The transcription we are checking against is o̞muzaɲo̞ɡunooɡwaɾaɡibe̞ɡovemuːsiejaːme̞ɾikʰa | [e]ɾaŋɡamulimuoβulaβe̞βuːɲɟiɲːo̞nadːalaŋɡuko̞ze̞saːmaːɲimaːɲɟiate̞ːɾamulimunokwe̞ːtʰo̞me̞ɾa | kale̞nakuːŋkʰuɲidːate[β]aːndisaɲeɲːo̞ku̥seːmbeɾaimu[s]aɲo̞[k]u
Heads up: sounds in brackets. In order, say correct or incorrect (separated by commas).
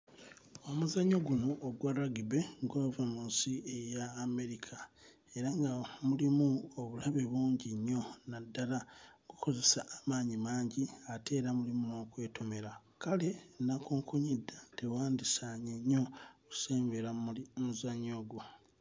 correct, incorrect, incorrect, incorrect